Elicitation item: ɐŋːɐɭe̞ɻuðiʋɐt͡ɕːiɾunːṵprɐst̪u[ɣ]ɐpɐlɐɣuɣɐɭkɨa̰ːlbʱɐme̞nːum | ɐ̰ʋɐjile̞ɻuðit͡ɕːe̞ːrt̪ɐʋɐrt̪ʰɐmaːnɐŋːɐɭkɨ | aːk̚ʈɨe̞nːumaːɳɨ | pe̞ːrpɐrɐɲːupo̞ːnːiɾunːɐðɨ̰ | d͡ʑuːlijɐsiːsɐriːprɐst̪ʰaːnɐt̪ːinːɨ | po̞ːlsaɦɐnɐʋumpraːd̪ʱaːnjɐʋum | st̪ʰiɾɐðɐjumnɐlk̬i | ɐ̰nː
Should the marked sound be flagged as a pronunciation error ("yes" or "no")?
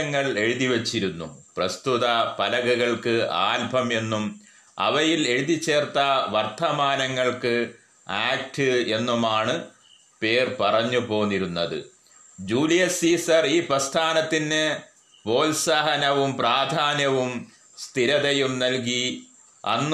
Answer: yes